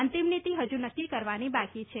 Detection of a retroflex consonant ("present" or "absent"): absent